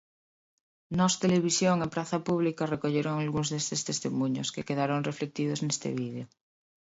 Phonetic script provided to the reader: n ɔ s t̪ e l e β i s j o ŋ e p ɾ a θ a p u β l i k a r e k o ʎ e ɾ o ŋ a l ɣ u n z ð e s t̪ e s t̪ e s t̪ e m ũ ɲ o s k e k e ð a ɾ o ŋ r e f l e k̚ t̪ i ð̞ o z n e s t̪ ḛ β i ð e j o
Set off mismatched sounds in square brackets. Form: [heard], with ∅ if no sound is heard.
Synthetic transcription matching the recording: n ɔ s t̪ e l e β i s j o ŋ e p ɾ a θ a p u β l i k a r e k o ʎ e ɾ o ŋ a l ɣ u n z ð e s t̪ e s t̪ e s t̪ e m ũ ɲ o s k e k e ð a ɾ o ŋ r e f l e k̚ t̪ i ð̞ o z n e s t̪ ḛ β i ð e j o